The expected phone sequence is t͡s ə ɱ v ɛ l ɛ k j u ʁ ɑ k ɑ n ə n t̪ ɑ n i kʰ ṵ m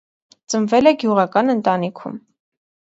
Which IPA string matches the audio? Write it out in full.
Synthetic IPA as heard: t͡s ə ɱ v ɛ l ɛ ɡ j u ʁ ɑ k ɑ n ə n t̪ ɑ n i kʰ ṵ m